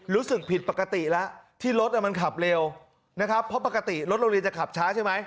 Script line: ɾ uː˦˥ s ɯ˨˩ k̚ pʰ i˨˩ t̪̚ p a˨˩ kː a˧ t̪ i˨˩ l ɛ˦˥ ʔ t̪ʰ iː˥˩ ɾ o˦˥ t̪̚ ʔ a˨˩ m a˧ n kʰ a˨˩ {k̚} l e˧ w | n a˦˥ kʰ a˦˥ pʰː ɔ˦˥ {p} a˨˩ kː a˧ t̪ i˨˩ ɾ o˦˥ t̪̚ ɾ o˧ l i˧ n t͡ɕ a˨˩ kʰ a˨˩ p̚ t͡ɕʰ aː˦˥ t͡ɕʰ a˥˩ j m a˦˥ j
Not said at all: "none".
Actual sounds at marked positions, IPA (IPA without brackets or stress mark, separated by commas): p̚, p